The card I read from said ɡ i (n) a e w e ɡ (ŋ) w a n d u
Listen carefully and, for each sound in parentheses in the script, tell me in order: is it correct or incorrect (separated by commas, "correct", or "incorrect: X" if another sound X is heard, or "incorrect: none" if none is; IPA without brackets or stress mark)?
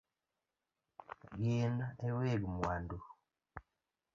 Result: correct, incorrect: m